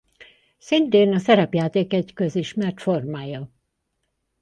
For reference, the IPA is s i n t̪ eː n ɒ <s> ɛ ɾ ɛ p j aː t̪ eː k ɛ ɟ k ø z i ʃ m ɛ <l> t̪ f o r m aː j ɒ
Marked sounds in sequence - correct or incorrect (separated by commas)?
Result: correct, incorrect